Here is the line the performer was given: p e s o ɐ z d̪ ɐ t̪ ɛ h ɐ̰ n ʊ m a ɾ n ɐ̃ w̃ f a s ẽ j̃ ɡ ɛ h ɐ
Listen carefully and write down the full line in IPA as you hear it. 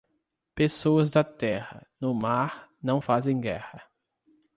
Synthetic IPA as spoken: p e s o ɐ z d̪ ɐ t̪ ɛ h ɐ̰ n ʊ m a ɾ n ɐ̃ w̃ f a z ẽ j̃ ɡ ɛ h ɐ